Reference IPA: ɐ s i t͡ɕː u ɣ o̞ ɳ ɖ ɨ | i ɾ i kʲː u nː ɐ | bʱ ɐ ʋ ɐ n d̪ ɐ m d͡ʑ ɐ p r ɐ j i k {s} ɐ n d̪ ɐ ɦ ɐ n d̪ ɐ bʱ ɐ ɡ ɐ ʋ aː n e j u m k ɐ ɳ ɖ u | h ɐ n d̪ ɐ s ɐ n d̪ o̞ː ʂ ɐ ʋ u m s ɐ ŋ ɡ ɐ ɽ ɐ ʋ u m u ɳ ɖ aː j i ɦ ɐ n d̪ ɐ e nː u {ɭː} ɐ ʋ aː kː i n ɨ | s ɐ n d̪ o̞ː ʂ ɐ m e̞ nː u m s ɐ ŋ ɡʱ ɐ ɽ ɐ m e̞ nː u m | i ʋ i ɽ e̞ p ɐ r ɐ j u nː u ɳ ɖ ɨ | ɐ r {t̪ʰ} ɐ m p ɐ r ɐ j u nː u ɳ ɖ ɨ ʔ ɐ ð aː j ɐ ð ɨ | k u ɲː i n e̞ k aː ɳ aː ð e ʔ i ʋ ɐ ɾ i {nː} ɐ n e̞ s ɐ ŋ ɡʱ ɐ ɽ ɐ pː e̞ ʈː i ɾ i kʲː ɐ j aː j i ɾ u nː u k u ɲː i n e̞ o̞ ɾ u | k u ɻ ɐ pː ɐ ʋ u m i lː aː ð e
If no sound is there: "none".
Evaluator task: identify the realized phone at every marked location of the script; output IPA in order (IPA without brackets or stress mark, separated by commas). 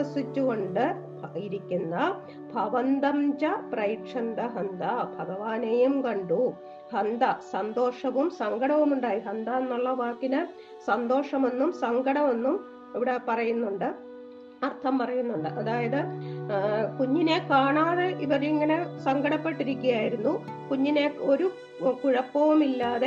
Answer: ʂ, ɭː, t̪ʰ, ŋː